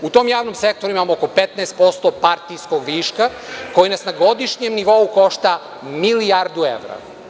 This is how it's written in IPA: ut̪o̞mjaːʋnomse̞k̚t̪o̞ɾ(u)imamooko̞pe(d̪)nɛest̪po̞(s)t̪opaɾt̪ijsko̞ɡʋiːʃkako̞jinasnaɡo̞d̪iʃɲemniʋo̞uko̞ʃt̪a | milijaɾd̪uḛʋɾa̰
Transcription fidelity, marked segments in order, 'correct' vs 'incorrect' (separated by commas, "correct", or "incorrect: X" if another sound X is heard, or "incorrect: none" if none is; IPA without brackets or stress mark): correct, incorrect: t̪, correct